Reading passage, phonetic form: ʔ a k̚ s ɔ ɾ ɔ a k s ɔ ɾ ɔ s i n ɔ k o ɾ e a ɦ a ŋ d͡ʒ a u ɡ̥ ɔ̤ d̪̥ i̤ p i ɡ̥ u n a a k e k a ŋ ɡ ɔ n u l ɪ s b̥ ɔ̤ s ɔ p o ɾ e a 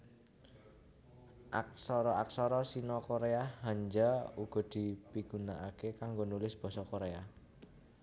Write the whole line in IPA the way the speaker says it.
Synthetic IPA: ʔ a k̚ s ɔ ɾ ɔ a k s ɔ ɾ ɔ s i n ɔ k o ɾ e a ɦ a ɲ d͡ʒ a u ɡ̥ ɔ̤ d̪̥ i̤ p i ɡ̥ u n a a k e k a ŋ ɡ o n u l ɪ s b̥ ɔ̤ s ɔ k o ɾ e a